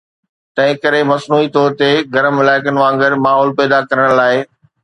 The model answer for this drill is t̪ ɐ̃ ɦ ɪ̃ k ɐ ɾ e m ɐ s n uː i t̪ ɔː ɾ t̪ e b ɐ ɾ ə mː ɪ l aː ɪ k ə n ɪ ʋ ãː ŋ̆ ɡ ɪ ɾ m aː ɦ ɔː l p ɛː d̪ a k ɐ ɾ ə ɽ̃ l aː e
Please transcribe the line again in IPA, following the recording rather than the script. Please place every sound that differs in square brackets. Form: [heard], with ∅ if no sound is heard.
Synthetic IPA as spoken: t̪ ɐ̃ ɦ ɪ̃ k ɐ ɾ e m ɐ s n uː i t̪ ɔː ɾ t̪ e [ɡ] ɐ ɾ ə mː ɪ l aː ɪ k ə n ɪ ʋ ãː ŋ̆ ɡ ɪ ɾ m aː ɦ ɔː l p ɛː d̪ a k ɐ ɾ ə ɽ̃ l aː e